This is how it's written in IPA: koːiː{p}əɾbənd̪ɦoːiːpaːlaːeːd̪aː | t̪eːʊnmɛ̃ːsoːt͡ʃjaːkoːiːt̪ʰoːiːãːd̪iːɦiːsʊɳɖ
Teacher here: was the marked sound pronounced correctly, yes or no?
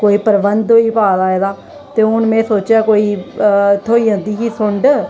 yes